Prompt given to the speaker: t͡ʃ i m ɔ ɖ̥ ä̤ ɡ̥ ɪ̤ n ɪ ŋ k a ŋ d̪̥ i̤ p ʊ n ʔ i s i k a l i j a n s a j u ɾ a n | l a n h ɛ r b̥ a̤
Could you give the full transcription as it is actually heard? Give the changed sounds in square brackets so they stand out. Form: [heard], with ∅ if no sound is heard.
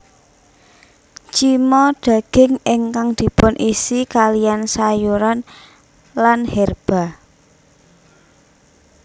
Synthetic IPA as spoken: t͡ʃ i m ɔ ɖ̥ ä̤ ɡ̥ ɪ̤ [ŋ] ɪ ŋ k a ŋ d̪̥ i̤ p ʊ n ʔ i s i k a l i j a n s a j u ɾ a n | l a n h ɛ r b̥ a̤